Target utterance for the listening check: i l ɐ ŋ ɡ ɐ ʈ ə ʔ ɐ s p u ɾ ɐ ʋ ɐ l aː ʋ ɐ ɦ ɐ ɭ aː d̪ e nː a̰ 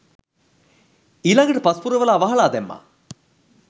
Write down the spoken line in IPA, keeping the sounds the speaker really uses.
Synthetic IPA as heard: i l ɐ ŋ ɡ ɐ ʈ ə p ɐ s p u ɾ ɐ ʋ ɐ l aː ʋ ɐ ɦ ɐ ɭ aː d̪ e mː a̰